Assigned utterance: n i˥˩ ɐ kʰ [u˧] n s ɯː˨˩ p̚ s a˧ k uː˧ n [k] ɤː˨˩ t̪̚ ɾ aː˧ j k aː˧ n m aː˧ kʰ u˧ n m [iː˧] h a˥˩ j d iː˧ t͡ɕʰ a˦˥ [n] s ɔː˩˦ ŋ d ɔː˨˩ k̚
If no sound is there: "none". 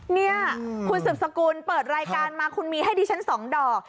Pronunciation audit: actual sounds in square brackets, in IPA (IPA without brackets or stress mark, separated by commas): u˧, p, iː˧, n